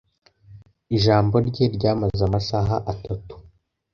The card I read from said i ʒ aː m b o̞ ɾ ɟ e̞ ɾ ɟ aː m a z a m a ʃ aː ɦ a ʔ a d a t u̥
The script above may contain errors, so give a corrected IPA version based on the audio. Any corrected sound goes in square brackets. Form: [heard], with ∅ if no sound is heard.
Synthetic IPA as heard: i ʒ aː m b o̞ ɾ ɟ e̞ ɾ ɟ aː m a z a m a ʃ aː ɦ a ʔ a [t] a t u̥